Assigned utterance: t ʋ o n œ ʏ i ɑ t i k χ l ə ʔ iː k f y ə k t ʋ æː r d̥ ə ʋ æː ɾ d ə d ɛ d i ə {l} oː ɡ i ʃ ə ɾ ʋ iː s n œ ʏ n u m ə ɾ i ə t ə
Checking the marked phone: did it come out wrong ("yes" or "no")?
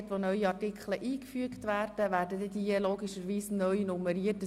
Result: no